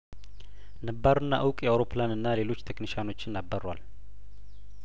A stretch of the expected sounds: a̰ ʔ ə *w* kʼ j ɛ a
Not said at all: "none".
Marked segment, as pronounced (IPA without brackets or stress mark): w